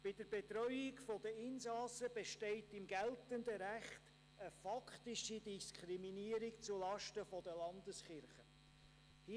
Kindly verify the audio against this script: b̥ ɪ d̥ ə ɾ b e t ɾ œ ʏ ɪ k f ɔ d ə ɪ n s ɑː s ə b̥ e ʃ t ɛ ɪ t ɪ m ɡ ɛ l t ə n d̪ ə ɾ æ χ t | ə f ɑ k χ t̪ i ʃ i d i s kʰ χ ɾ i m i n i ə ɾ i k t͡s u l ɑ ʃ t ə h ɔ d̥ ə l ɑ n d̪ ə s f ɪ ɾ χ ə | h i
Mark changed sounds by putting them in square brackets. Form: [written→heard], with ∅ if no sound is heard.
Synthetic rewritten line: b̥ ɪ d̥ ə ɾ b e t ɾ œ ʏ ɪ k f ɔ d ə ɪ n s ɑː s ə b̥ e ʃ t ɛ ɪ t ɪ m ɡ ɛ l t ə n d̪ ə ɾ æ χ t | ə f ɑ k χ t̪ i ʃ i d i s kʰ χ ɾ i m i n i ə ɾ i k t͡s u l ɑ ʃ t ə [h→f] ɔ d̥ ə l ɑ n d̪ ə s [f→χ] ɪ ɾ χ ə | h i